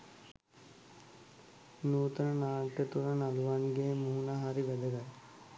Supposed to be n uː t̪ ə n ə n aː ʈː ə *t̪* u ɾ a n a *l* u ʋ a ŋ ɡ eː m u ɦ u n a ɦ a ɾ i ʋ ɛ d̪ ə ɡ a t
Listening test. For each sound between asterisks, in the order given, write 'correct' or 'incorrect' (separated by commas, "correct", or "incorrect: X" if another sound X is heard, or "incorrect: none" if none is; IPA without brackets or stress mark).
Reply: correct, correct